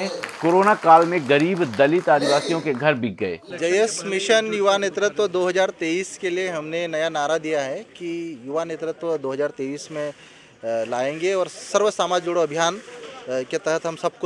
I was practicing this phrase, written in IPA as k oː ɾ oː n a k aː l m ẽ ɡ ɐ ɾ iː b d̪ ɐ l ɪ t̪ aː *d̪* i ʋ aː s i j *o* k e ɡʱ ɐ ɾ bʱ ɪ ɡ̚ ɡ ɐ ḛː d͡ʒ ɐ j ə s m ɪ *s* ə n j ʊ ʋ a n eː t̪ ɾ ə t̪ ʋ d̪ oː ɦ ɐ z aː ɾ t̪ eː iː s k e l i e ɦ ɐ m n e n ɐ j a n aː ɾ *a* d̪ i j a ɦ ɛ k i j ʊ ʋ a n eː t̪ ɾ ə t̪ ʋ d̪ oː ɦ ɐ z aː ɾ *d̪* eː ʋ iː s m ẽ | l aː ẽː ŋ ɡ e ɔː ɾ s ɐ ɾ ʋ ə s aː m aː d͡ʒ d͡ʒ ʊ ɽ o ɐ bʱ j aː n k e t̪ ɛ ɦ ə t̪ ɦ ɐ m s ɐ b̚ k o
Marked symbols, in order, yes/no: yes, no, no, yes, no

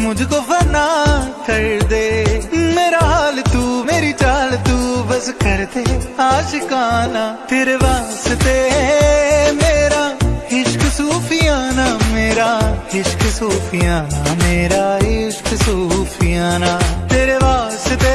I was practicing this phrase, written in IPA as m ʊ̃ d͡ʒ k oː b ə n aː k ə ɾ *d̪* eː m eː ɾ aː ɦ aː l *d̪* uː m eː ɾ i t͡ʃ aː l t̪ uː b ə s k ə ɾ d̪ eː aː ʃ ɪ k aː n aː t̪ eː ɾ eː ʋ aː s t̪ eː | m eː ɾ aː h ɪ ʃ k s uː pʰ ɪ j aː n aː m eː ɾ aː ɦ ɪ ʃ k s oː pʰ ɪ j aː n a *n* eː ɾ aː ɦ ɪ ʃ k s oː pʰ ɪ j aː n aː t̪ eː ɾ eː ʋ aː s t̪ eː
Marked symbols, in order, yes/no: yes, no, no

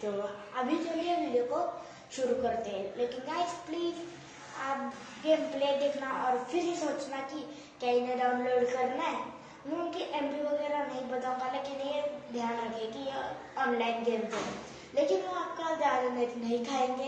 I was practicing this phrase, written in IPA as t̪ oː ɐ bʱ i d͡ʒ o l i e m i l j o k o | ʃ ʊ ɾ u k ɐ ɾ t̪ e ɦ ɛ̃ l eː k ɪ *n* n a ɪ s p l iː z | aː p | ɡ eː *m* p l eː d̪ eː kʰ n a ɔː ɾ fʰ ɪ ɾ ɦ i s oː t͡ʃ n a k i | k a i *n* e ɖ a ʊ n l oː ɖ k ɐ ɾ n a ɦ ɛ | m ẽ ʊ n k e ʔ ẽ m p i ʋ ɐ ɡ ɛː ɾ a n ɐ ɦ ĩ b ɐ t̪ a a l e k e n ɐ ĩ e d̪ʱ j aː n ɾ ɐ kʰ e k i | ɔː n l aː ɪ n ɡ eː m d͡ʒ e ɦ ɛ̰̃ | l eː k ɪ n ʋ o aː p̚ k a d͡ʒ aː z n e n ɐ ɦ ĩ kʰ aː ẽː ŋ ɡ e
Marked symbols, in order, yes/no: yes, yes, yes

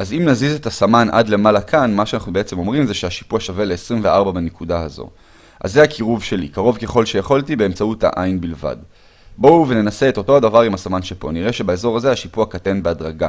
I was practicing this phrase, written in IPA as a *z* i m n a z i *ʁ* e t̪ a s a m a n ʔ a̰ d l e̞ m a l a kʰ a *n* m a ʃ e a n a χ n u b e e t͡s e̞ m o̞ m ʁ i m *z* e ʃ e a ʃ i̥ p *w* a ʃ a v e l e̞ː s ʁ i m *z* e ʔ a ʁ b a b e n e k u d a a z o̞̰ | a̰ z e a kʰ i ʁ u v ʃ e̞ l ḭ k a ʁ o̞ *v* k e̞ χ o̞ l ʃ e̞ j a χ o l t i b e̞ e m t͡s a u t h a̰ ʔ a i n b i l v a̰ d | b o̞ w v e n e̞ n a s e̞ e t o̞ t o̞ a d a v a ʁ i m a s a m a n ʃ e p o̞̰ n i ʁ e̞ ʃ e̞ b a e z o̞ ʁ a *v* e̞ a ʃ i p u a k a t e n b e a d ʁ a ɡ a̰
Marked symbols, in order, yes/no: yes, no, yes, yes, no, no, yes, no

